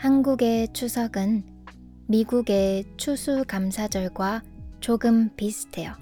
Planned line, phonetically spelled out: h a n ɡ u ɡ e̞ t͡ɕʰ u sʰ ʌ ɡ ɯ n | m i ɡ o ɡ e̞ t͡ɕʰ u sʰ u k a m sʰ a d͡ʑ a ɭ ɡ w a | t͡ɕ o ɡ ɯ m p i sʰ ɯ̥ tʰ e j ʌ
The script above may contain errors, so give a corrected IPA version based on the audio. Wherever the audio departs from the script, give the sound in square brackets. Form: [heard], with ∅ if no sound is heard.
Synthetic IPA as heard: h a n ɡ u ɡ e̞ t͡ɕʰ u sʰ ʌ ɡ ɯ n | m i ɡ [u] ɡ e̞ t͡ɕʰ u sʰ u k a m sʰ a d͡ʑ [ʌ] ɭ ɡ w a | t͡ɕ o ɡ ɯ m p i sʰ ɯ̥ tʰ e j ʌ